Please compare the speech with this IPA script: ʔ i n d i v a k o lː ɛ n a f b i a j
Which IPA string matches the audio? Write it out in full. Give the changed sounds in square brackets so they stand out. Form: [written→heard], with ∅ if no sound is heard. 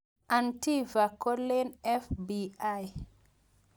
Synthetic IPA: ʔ [i→a] n [d→t] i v a k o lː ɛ n [a→ɛ] f b i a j